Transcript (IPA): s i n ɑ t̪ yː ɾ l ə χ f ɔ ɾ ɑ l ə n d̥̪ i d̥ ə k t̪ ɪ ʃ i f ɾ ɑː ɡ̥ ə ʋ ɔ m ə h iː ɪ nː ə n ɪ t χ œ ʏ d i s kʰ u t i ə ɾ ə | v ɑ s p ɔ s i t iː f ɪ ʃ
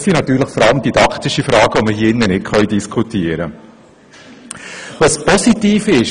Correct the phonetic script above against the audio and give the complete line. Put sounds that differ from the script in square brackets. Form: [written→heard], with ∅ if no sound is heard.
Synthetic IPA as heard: s i n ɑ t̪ yː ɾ l ə χ f ɔ ɾ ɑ l ə [n→m] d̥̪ i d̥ [ə→ɑ] k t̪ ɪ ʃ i f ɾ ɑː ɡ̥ ə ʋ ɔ m ə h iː ɪ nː ə n ɪ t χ œ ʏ d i s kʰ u t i ə ɾ ə | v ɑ s p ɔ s i t iː f ɪ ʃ